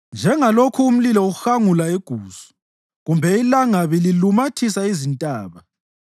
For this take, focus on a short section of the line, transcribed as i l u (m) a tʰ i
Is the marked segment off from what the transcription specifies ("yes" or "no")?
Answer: no